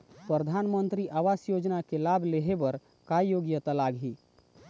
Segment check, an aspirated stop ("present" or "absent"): absent